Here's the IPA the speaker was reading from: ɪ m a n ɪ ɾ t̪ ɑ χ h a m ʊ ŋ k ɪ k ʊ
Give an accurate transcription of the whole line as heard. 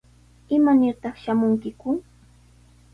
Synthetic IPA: ɪ m a n ɪ ɾ t̪ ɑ χ ʃ a m ʊ ŋ k ɪ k ʊ